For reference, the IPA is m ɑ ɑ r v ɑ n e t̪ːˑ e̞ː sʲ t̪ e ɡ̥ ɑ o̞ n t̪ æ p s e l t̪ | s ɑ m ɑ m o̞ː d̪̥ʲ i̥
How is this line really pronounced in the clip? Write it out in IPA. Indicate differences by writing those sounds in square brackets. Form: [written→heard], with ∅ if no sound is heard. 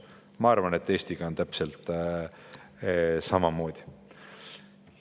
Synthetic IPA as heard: m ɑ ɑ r v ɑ n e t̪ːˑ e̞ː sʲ t̪ [e→i] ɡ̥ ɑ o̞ n t̪ æ p s e l t̪ | s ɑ m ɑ m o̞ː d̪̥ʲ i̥